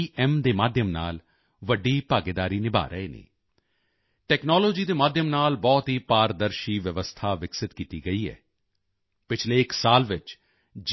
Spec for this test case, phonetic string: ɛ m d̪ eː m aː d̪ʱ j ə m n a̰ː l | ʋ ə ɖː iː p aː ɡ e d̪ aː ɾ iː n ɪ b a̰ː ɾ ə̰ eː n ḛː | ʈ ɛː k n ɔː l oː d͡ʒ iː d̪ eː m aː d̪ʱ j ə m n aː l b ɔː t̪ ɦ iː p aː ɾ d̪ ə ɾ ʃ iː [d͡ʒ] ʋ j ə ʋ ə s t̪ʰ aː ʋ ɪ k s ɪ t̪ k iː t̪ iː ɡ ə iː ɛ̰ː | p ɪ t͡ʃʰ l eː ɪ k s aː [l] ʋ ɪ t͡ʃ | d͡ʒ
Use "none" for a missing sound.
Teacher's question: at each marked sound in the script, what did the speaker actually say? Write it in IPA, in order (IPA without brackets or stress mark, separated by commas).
none, l